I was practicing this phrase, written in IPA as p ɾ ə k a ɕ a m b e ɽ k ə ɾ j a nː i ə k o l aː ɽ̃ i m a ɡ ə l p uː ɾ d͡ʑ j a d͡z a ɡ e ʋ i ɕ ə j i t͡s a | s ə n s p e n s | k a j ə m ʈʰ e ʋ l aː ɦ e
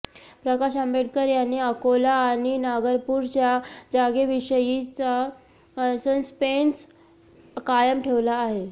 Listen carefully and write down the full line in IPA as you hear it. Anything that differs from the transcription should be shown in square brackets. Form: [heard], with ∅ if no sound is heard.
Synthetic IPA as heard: p ɾ ə k a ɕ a m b e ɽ k ə ɾ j a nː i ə k o l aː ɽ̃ i [n] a ɡ ə [ɾ] p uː ɾ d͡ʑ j a d͡z a ɡ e ʋ i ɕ ə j i t͡s a | s ə n s p e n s | k a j ə m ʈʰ e ʋ l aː ɦ e